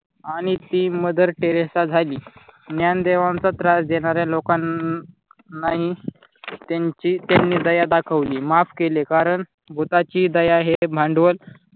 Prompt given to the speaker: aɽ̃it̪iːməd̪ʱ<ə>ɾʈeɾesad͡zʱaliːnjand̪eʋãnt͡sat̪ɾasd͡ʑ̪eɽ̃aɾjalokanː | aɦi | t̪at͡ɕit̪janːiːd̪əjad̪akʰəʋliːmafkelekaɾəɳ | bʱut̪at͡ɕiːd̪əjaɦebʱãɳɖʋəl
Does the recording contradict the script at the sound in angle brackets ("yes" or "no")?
no